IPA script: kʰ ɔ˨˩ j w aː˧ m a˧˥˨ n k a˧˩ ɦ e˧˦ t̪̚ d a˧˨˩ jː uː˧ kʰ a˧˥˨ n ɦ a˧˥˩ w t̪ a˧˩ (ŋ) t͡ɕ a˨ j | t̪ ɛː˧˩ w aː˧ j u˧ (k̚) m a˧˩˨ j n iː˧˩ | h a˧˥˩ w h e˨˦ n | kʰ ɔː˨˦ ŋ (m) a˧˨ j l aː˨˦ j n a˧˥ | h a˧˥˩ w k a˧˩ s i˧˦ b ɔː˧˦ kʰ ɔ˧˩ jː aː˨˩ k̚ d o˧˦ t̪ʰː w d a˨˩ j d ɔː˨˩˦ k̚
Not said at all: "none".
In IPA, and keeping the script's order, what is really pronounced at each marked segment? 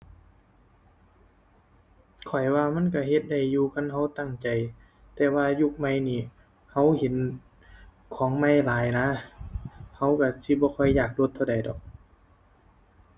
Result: ŋ, k̚, m

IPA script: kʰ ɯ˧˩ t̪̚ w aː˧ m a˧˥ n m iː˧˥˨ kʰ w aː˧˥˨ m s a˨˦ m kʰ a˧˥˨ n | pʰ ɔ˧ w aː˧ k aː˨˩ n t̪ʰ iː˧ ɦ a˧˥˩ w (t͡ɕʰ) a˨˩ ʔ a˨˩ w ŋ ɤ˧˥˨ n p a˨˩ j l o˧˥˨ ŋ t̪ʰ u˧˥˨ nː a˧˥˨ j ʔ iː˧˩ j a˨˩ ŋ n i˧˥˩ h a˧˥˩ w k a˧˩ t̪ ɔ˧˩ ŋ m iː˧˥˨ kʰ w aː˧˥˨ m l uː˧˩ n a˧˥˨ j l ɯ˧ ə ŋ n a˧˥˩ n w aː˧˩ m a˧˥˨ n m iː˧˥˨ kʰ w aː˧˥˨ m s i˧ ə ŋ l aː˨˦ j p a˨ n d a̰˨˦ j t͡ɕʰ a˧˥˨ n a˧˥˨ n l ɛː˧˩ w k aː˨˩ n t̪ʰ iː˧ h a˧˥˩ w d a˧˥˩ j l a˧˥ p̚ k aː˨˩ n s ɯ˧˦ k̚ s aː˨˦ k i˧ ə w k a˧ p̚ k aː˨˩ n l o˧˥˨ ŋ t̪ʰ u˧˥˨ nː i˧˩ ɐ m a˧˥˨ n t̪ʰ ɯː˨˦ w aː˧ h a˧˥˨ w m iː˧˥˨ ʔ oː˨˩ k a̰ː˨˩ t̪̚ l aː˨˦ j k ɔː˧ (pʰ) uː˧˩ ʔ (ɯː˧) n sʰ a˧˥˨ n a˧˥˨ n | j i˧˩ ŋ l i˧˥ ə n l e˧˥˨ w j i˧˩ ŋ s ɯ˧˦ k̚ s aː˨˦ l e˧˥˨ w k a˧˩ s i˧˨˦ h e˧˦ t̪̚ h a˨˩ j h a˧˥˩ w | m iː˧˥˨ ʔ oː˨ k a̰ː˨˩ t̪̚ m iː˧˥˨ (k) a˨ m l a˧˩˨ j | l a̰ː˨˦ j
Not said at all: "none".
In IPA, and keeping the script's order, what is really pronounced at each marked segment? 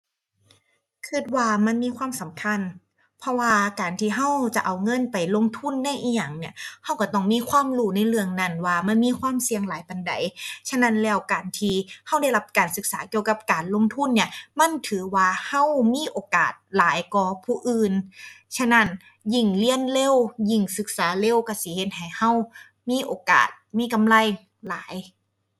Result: t͡ɕ, pʰ, ɯː˧, k

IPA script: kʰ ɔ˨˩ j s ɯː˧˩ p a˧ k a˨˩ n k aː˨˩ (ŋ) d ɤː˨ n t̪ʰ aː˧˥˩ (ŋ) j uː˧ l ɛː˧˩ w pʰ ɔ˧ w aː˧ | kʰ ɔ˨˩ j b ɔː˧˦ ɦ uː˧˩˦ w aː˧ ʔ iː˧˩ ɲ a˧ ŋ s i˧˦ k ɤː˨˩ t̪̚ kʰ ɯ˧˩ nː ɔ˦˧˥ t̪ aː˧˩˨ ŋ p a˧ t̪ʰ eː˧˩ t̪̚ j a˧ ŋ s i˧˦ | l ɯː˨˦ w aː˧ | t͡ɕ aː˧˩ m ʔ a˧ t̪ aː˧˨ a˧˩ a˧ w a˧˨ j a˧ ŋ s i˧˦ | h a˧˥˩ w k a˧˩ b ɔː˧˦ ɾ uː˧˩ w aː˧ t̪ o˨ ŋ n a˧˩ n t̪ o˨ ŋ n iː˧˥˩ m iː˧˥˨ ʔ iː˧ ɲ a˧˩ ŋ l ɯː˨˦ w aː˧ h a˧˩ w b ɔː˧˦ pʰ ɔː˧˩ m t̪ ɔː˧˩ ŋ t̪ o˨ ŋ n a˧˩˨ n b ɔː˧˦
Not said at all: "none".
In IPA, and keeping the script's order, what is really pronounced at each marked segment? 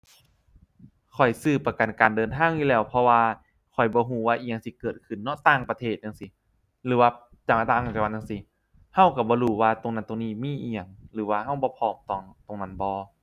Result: n, ŋ

